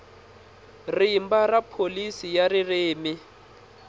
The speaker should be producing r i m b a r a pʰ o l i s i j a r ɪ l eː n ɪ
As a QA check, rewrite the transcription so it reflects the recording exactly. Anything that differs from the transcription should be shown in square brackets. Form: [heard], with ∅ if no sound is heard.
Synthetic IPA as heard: r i m b a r a pʰ o l i s i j a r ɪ [r] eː [m] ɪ